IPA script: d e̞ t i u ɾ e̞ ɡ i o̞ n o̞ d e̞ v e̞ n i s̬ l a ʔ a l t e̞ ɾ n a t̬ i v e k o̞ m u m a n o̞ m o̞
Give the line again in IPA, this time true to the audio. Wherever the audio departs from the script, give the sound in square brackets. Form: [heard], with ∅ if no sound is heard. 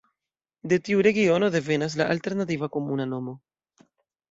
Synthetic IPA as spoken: d e̞ t i u ɾ e̞ ɡ i o̞ n o̞ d e̞ v e̞ n [a] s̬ l a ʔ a l t e̞ ɾ n a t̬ i v [a] k o̞ m u [n] a n o̞ m o̞